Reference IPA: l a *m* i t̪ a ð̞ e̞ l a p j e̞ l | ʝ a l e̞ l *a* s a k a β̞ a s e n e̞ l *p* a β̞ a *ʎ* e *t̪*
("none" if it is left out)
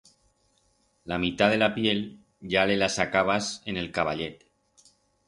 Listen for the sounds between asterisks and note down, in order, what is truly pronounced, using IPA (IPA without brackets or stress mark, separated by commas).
m, a, k, ʎ, t̪